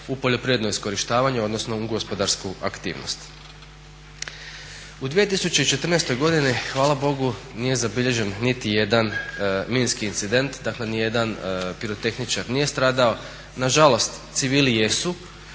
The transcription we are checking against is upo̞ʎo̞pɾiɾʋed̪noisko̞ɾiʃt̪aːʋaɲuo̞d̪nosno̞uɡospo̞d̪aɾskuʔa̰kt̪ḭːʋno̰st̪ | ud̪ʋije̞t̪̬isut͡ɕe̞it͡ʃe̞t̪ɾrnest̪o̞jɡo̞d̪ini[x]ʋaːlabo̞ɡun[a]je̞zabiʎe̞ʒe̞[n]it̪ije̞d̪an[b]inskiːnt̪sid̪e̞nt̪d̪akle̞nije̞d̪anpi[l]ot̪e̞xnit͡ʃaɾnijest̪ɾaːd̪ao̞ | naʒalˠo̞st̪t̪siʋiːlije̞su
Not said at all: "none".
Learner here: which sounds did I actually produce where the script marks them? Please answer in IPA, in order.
x, i, nː, m, ɾ

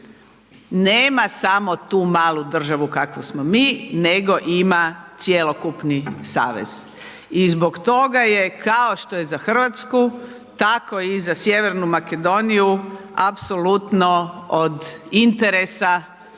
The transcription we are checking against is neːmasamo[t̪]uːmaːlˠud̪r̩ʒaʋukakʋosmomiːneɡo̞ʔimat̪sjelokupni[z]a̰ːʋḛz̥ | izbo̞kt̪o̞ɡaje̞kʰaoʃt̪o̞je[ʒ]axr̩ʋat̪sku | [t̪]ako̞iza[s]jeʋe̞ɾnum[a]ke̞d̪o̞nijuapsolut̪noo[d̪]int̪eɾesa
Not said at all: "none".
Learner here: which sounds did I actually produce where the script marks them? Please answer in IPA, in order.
t̪, s, z, t̪, s, a, d̪

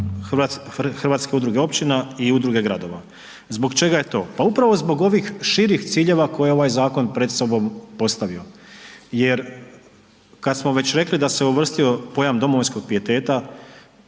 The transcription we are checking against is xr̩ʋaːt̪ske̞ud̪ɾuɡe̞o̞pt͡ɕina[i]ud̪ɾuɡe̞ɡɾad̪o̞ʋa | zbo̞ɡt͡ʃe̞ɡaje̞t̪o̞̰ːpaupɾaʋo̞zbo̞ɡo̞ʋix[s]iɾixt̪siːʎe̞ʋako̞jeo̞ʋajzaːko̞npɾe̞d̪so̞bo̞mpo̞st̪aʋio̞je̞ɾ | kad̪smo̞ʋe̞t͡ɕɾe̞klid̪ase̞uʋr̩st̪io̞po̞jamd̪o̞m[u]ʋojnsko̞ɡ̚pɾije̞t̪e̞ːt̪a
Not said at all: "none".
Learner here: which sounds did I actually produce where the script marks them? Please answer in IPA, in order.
i, ʃ, o

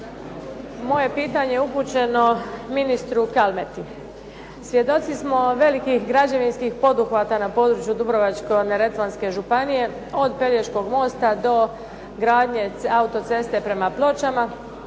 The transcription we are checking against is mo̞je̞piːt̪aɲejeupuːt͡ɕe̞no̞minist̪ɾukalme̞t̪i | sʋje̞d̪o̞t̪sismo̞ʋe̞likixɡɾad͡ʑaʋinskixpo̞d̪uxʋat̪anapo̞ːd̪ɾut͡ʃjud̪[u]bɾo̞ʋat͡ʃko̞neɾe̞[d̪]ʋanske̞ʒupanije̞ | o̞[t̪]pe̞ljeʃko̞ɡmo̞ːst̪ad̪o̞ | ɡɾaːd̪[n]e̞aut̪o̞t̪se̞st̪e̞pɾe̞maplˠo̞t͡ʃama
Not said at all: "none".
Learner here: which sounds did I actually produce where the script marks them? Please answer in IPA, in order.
u, t̪, d̪, ɲ

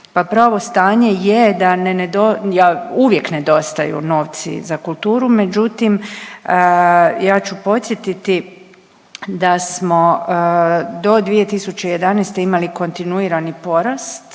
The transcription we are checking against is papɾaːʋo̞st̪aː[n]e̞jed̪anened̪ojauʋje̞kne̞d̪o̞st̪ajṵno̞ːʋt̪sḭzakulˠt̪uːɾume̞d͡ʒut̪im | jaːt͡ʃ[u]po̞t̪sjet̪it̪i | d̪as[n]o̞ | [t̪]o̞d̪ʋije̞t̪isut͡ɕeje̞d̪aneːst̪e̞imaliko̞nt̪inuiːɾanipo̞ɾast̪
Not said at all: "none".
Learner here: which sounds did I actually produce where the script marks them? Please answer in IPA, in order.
ɲ, u, m, d̪

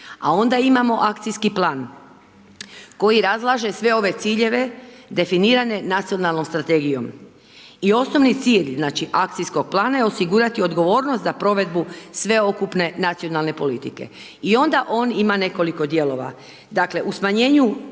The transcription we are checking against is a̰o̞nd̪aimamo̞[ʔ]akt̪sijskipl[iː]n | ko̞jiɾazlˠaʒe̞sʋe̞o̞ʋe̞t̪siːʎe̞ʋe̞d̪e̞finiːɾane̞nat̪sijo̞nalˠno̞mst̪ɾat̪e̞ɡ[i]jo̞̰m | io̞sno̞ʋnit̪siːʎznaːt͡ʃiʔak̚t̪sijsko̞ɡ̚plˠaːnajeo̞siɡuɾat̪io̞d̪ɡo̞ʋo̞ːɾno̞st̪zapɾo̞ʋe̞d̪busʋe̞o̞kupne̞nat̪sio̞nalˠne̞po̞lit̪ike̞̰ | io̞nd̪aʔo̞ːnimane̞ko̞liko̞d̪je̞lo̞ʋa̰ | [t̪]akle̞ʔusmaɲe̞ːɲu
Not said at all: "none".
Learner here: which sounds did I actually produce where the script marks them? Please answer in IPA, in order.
ʔ, aː, i, d̪

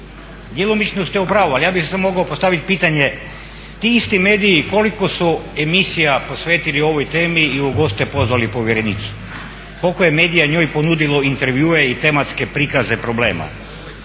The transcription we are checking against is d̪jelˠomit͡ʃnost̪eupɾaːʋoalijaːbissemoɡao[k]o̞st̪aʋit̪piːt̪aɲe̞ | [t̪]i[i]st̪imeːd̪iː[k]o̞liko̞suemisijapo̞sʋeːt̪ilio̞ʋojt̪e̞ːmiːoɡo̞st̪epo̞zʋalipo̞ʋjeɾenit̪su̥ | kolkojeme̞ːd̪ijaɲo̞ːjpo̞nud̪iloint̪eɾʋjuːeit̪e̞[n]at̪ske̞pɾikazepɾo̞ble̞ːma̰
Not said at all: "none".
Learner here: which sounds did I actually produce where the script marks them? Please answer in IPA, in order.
p, t̪, i, k, m

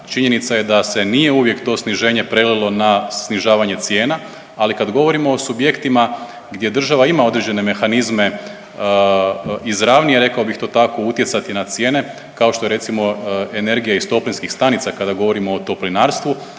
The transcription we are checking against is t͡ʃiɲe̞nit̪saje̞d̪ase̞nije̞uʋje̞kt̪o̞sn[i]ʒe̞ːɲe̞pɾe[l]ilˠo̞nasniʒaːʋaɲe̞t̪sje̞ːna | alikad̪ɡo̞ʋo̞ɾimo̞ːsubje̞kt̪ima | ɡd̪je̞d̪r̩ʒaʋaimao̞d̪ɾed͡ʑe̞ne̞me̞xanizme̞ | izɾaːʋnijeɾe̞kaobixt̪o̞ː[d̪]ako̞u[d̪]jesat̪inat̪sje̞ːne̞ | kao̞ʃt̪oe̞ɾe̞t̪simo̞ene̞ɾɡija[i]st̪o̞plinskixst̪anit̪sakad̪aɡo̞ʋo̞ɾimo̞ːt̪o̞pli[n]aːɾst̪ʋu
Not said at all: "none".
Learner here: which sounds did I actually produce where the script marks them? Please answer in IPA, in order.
i, l, t̪, t̪, i, n

